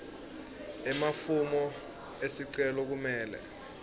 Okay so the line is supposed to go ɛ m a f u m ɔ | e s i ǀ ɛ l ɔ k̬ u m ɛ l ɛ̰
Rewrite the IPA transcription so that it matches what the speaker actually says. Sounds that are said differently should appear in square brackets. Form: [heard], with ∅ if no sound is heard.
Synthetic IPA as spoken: ɛ m a f u m ɔ | e s i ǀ ɛ l ɔ k̬ u m [ɛː] l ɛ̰